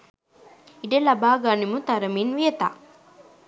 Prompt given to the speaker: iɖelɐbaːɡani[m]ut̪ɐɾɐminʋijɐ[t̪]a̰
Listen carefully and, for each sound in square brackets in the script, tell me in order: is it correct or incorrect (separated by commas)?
correct, correct